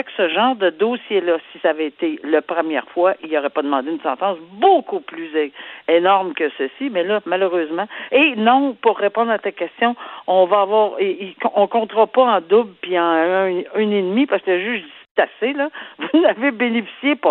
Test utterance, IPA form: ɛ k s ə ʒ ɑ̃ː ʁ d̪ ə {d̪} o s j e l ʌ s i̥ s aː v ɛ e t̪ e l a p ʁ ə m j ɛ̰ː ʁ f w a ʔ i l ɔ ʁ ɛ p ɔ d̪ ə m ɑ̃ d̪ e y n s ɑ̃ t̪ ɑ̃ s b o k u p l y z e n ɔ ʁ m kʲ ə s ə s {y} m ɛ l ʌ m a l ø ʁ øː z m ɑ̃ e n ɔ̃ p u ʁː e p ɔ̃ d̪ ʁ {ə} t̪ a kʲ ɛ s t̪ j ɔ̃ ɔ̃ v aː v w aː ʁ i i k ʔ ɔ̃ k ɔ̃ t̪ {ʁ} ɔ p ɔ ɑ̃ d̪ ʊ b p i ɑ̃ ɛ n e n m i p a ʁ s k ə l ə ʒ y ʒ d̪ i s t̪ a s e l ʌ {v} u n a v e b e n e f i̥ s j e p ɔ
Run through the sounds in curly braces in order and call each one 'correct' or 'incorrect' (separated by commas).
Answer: correct, incorrect, incorrect, correct, correct